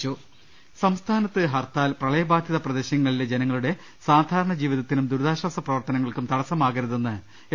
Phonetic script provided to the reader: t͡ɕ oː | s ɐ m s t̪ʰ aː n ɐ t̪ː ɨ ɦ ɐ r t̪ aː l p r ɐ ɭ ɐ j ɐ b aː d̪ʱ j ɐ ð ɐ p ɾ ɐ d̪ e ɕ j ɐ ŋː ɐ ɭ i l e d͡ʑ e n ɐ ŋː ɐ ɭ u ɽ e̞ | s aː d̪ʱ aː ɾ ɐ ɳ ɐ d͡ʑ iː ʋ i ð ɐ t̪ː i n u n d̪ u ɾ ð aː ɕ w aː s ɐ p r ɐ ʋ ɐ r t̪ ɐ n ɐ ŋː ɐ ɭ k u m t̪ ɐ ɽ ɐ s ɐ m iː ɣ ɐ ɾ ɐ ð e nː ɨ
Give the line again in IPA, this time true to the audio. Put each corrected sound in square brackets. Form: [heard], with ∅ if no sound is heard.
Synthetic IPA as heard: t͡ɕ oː | s ɐ m s t̪ʰ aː n ɐ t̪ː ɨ ɦ ɐ r t̪ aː l p r ɐ ɭ ɐ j ɐ b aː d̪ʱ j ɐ ð ɐ p [r] ɐ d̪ e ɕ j ɐ ŋː ɐ ɭ i l e d͡ʑ e n ɐ ŋː ɐ ɭ u ɽ e̞ | s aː d̪ʱ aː ɾ ɐ ɳ ɐ d͡ʑ iː ʋ i ð ɐ t̪ː i n u [m] d̪ u ɾ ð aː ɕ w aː s ɐ p r ɐ ʋ ɐ r t̪ ɐ n ɐ ŋː ɐ ɭ k u m t̪ ɐ ɽ ɐ s ɐ m [aː] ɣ ɐ ɾ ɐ ð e nː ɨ

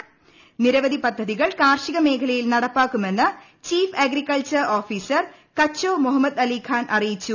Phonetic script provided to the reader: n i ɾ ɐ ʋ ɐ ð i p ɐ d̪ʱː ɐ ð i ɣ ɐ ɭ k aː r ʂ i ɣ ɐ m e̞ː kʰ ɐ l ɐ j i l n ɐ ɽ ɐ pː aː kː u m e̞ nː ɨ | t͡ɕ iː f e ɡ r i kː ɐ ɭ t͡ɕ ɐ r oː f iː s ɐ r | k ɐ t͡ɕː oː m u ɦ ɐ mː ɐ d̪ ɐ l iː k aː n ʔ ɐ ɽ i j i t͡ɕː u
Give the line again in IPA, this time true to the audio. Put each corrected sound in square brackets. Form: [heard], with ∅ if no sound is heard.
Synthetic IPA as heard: n i ɾ ɐ ʋ ɐ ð i p ɐ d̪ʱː ɐ ð i ɣ ɐ ɭ k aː r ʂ i ɣ ɐ m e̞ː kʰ ɐ l ɐ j i l n ɐ ɽ ɐ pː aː kː u m e̞ nː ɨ | t͡ɕ iː f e ɡ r i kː ɐ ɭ t͡ɕ ɐ r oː f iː s ɐ r | k ɐ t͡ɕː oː m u ɦ ɐ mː ɐ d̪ ɐ l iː [kʰ] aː n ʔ ɐ [r] i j i t͡ɕː u

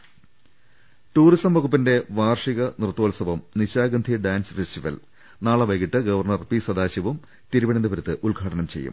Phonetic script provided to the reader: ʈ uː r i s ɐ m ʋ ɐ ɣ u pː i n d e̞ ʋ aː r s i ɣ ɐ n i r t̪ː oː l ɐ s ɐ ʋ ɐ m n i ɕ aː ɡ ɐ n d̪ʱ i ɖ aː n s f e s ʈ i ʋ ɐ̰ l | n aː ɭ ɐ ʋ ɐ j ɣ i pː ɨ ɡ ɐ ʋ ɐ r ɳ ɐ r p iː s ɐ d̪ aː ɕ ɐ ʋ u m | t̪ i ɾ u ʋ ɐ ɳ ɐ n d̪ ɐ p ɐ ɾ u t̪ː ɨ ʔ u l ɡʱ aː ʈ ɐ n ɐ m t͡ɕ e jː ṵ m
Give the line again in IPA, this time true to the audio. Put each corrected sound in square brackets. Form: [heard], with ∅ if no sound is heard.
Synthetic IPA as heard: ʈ uː r i s ɐ m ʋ ɐ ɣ u pː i n d e̞ ʋ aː r [ʂ] i ɣ ɐ n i r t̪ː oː l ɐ s ɐ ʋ ɐ m n i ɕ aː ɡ ɐ n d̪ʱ i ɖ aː n s f e s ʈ i ʋ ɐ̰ l | n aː ɭ ɐ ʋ ɐ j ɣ i [ʈː] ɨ ɡ ɐ ʋ ɐ r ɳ ɐ r p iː s ɐ d̪ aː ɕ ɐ ʋ u m | t̪ i ɾ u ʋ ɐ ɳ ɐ n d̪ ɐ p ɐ ɾ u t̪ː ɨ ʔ u l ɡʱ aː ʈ ɐ n ɐ m t͡ɕ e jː ṵ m

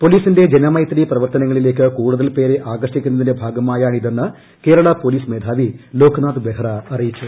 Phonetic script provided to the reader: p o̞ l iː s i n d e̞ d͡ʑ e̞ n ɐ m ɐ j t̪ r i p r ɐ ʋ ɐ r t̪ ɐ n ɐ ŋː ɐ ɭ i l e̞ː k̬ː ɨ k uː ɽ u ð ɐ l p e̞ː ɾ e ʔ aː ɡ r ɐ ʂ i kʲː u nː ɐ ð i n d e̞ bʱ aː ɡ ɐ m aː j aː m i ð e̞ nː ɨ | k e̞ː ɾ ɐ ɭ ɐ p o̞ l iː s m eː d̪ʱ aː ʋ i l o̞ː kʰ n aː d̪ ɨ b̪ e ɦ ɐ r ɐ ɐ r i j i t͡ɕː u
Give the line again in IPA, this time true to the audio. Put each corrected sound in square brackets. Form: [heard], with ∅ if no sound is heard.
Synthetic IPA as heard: p o̞ l iː s i n d e̞ d͡ʑ e̞ n ɐ m ɐ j t̪ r i p r ɐ ʋ ɐ r t̪ ɐ n ɐ ŋː ɐ ɭ i l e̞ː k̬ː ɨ k uː ɽ u ð ɐ l p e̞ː ɾ e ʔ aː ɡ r ɐ ʂ i kʲː u nː ɐ ð i n d e̞ bʱ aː ɡ ɐ m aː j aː [ɳ] i ð e̞ nː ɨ | k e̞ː ɾ ɐ ɭ ɐ p o̞ l iː s m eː d̪ʱ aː ʋ i l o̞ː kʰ n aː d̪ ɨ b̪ e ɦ ɐ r ɐ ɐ r i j i t͡ɕː u

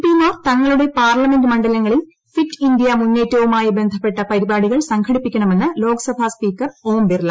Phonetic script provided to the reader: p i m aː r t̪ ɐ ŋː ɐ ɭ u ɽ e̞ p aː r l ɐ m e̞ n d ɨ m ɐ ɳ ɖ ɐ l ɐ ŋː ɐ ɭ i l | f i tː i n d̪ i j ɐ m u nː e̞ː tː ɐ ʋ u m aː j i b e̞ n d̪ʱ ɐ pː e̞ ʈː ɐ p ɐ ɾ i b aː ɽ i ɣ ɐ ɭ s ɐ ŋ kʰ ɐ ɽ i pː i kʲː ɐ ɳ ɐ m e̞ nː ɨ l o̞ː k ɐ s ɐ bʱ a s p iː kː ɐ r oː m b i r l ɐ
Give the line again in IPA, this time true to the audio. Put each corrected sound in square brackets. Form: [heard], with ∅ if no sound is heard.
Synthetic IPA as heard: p i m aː r t̪ ɐ ŋː ɐ ɭ u ɽ e̞ p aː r l ɐ m e̞ n d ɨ m ɐ ɳ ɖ ɐ l ɐ ŋː ɐ ɭ i l | f i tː i n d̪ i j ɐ m u nː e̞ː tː ɐ ʋ u m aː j i b e̞ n d̪ʱ ɐ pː e̞ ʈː ɐ p ɐ ɾ i b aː ɽ i ɣ ɐ ɭ s ɐ ŋ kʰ ɐ ɽ i pː i kʲː ɐ ɳ ɐ m e̞ nː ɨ l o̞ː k ɐ s ɐ bʱ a s p iː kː ɐ r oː m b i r l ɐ

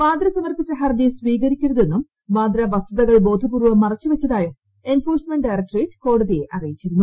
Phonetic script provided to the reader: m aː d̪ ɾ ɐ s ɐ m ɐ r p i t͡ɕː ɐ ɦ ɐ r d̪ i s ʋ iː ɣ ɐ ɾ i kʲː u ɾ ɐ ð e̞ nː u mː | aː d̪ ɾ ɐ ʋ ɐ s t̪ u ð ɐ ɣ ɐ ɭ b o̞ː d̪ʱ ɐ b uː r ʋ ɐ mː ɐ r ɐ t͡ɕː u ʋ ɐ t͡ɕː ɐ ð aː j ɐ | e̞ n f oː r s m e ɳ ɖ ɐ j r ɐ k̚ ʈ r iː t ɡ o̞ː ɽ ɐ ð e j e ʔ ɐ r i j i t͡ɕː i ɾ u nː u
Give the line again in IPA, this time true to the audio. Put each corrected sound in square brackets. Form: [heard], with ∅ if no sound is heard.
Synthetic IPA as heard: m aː d̪ ɾ ɐ s ɐ m ɐ r p i t͡ɕː ɐ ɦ ɐ r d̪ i s ʋ iː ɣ ɐ ɾ i kʲː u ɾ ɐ ð e̞ nː u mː | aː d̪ ɾ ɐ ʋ ɐ s t̪ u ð ɐ ɣ ɐ ɭ b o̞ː d̪ʱ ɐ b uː r ʋ ɐ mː ɐ r ɐ t͡ɕː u ʋ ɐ t͡ɕː ɐ ð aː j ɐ | e̞ n f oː r s m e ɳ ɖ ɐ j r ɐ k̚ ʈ r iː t [k] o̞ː ɽ ɐ ð [i] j e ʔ ɐ r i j i t͡ɕː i ɾ u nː u

